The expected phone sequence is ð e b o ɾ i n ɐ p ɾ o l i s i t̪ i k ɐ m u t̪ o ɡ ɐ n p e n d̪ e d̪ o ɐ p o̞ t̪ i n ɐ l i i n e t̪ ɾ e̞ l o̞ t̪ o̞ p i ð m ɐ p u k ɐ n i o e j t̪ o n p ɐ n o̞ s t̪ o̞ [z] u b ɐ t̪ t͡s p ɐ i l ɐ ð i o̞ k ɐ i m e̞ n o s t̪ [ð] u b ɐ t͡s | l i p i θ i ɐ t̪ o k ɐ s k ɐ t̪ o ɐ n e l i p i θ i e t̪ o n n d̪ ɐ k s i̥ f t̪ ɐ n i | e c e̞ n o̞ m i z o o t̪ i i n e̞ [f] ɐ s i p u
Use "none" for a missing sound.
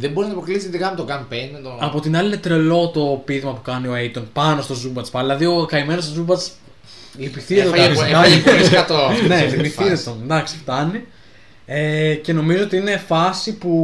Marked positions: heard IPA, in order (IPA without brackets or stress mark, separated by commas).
z, z, f